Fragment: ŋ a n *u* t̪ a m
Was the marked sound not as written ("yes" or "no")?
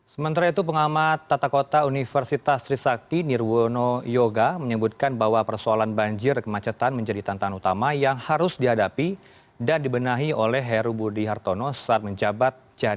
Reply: no